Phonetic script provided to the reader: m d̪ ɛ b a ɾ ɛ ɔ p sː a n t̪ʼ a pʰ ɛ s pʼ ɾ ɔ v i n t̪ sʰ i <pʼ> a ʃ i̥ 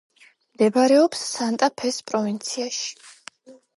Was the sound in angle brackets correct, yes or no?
no